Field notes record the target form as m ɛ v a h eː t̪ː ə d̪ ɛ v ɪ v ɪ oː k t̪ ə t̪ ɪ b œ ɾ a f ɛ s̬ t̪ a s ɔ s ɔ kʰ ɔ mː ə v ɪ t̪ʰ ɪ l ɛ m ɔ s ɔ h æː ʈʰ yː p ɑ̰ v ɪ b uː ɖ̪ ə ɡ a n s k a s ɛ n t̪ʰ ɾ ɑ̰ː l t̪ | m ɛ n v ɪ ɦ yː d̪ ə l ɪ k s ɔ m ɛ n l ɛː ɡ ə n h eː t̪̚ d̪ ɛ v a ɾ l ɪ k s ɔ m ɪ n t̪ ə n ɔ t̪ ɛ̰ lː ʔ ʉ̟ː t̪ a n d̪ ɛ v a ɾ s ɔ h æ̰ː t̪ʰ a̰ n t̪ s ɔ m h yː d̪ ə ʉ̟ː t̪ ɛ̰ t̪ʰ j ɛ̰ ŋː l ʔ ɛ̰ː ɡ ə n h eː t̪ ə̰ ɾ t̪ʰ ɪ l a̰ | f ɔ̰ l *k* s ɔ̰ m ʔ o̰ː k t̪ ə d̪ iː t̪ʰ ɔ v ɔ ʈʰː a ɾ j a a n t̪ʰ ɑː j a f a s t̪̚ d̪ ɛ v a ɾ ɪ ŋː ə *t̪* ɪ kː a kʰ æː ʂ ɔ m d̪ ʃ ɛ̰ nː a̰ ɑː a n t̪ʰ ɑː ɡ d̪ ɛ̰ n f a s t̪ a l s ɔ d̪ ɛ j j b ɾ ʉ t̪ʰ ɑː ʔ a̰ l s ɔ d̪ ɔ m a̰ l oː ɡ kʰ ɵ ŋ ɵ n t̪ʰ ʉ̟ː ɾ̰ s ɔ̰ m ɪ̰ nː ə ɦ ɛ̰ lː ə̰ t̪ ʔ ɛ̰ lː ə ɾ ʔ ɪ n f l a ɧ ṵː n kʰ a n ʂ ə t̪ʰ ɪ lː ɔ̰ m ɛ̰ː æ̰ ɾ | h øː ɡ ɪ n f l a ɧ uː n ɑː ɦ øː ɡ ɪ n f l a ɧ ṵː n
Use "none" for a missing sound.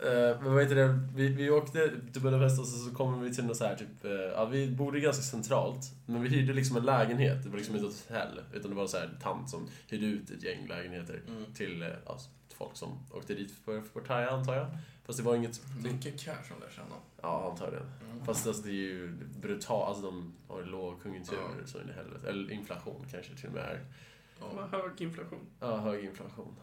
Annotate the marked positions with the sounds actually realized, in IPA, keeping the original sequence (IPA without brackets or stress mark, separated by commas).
k, t̪